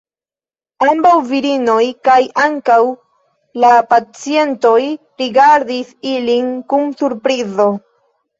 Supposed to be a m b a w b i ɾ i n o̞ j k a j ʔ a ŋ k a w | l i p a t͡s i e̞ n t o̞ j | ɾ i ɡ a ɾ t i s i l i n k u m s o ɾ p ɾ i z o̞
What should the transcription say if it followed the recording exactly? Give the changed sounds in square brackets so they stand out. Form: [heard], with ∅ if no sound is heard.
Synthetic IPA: a m b a w [v] i ɾ i n o̞ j k a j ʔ a ŋ k a w | l [a] p a t͡s i e̞ n t o̞ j | ɾ i ɡ a ɾ [d] i s i l i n k u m s [u] ɾ p ɾ i z o̞